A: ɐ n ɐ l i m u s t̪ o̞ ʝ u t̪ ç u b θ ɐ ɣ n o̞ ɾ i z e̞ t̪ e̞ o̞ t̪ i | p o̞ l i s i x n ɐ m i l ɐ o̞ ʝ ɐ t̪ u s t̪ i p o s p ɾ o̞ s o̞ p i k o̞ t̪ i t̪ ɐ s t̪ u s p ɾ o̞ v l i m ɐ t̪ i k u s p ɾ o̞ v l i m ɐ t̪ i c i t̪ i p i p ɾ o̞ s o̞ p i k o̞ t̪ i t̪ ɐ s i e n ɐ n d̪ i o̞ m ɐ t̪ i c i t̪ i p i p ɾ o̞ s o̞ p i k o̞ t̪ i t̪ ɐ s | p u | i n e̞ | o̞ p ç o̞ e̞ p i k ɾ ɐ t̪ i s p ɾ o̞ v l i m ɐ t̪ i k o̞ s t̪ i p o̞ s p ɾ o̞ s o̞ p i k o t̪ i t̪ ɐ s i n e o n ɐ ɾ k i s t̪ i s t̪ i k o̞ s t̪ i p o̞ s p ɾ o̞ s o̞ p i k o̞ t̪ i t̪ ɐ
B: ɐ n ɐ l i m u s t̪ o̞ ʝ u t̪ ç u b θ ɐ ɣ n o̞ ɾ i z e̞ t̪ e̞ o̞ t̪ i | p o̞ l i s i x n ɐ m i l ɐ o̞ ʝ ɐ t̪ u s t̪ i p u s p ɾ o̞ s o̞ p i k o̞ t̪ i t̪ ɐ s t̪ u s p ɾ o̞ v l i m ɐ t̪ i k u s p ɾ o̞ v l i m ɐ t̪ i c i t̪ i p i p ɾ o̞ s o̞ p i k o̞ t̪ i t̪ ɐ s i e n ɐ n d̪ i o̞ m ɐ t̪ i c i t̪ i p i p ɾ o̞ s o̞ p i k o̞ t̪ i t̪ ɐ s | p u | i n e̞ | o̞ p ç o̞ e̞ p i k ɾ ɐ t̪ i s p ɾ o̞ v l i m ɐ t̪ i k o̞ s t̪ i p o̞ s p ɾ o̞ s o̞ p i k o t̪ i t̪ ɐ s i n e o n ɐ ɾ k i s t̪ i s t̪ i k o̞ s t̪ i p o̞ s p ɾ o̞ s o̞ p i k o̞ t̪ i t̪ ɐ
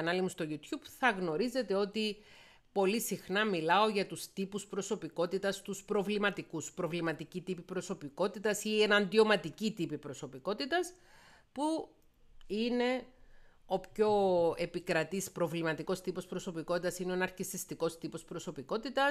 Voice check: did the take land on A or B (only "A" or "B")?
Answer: B